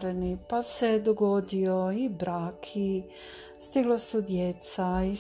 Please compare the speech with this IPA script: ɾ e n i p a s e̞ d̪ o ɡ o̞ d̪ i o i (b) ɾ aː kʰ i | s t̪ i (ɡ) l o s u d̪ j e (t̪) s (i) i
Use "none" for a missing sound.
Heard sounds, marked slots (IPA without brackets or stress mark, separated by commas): b, ɡ, t̪, a